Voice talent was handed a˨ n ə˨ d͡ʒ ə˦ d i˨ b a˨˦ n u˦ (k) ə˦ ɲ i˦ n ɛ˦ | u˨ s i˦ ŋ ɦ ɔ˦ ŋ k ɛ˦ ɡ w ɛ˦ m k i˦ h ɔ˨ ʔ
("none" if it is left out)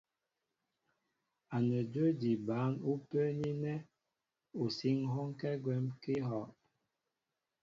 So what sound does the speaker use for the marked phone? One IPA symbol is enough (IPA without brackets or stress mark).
p